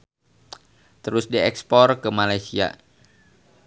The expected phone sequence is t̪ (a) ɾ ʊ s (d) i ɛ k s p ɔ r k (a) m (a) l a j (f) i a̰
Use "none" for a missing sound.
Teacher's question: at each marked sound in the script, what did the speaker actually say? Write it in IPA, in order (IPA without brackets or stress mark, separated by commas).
ə, d, ə, a, s